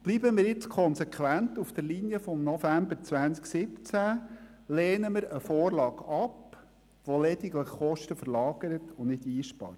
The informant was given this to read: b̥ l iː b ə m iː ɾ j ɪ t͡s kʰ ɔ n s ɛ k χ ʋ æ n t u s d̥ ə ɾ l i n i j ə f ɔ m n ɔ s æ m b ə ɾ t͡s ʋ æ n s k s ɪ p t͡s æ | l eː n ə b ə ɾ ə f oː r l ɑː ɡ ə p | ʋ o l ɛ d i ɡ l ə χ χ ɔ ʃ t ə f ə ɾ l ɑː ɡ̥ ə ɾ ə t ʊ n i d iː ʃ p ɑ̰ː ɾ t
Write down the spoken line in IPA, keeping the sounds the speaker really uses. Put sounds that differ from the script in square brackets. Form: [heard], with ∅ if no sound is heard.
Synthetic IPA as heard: b̥ l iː b ə m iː ɾ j ɪ t͡s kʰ ɔ n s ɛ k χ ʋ æ n t u [f] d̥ ə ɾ l i n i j ə f ɔ m n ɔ [f] æ m b ə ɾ t͡s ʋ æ n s k s ɪ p t͡s æ | l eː n ə [m] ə ɾ ə f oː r l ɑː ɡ [ɑ] p | ʋ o l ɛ d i ɡ l ə χ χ ɔ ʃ t ə f ə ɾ l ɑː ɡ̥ ə ɾ ə t ʊ n [ɪ] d iː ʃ p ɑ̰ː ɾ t